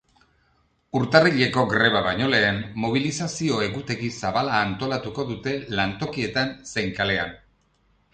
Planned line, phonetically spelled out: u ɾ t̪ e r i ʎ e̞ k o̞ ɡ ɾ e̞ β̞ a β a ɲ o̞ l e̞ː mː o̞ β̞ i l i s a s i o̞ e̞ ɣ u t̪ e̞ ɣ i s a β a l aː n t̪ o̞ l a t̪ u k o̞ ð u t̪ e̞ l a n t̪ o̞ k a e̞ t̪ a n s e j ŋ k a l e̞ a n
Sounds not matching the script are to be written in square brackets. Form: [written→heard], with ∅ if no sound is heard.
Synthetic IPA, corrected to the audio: u ɾ t̪ [e→a] r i ʎ e̞ k o̞ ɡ ɾ e̞ β̞ a β a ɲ o̞ l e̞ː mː o̞ β̞ i l i s a s i o̞ e̞ ɣ u t̪ e̞ ɣ i s a β a l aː n t̪ o̞ l a t̪ u k o̞ ð u t̪ e̞ l a n t̪ o̞ k [a→i] e̞ t̪ a n s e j ŋ k a l e̞ a n